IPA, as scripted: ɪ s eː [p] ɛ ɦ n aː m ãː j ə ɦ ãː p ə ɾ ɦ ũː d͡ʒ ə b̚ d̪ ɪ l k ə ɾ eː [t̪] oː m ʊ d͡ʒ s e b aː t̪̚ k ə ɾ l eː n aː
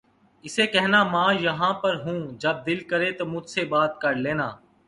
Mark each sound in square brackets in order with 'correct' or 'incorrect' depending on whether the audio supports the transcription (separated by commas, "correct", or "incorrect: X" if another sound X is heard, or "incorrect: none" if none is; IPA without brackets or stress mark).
incorrect: k, correct